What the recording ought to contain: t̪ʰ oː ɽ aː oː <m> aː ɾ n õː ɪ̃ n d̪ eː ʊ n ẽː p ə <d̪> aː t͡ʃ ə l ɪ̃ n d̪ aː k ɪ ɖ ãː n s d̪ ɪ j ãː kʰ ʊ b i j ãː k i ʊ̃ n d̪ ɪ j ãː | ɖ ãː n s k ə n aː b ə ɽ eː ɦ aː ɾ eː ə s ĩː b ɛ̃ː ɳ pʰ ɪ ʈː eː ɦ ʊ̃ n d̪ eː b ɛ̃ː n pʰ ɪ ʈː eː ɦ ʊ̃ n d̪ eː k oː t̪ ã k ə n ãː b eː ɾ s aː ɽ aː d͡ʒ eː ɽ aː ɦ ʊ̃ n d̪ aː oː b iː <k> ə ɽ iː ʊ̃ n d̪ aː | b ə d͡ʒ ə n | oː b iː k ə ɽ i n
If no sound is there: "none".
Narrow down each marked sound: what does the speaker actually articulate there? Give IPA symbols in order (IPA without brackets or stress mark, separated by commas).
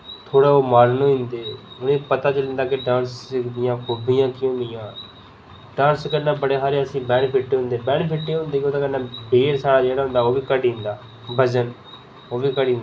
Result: m, t̪, k